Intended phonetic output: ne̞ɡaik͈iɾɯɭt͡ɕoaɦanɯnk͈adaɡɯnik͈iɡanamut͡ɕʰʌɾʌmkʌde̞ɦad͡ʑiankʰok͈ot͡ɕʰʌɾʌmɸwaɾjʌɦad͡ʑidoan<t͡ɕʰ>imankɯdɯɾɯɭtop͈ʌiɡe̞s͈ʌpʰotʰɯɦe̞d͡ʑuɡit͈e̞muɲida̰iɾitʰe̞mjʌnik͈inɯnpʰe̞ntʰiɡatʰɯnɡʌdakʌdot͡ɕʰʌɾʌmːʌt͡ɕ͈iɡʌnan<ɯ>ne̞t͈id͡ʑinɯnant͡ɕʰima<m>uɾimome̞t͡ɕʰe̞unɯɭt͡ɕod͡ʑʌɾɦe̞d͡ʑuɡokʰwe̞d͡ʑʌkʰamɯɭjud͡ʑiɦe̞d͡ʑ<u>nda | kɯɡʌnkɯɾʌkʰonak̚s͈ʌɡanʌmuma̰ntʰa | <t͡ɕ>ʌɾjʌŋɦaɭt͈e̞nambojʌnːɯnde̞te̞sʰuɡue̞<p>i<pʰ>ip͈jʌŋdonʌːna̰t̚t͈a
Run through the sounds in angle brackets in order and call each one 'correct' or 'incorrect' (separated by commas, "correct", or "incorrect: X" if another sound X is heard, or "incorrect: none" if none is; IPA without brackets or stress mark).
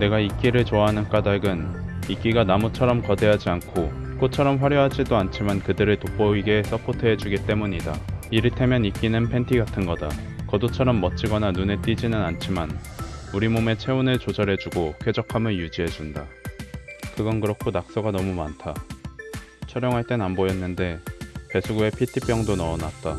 correct, incorrect: u, incorrect: n, correct, incorrect: t͡ɕʰ, incorrect: pʰ, incorrect: tʰ